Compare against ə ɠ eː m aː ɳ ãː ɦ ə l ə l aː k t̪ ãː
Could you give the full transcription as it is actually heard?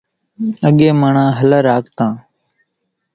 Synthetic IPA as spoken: ə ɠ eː m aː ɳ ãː ɦ ə l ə ɾ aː k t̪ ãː